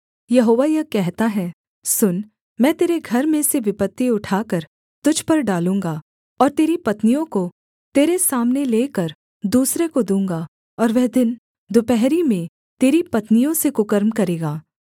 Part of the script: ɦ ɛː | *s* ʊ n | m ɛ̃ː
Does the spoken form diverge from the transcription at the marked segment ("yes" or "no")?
no